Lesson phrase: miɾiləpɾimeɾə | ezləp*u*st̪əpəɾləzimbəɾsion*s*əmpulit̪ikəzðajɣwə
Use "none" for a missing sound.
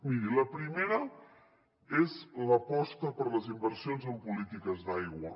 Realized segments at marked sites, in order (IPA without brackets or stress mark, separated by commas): ɔ, z